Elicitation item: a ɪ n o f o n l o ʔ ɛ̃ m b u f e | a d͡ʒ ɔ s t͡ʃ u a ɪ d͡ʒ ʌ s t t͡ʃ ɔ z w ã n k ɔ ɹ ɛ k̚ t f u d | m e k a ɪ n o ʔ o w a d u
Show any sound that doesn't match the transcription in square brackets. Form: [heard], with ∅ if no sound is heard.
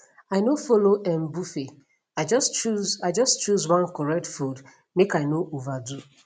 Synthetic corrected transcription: a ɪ n o f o [∅] l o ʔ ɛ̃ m b u f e | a d͡ʒ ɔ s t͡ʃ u a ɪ d͡ʒ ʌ s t t͡ʃ [u] z w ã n k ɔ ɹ ɛ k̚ t f u d | m e k a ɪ n o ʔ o [v] a d u